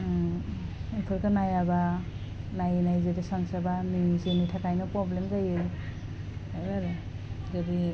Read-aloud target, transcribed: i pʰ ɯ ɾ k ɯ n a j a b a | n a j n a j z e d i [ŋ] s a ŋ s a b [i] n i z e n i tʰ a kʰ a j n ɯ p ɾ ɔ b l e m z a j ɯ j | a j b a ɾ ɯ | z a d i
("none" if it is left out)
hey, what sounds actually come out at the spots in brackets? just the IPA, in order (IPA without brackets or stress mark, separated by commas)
none, a